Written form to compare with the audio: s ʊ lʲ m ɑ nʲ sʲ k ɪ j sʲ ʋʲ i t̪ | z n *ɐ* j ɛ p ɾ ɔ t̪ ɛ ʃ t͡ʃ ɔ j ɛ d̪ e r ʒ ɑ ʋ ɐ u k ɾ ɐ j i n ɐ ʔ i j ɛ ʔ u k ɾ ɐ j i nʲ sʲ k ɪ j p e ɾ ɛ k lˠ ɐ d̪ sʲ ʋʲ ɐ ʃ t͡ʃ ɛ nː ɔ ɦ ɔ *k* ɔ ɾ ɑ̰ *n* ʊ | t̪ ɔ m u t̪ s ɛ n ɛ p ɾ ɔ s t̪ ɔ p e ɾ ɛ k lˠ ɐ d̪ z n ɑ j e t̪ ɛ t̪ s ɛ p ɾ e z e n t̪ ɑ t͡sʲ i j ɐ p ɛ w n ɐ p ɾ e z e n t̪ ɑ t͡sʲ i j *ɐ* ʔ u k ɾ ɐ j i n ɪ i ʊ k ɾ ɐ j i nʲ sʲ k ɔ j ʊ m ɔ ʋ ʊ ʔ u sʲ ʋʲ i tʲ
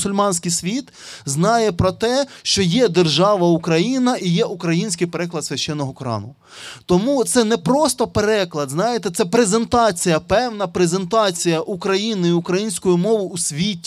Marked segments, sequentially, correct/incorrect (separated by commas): incorrect, correct, correct, correct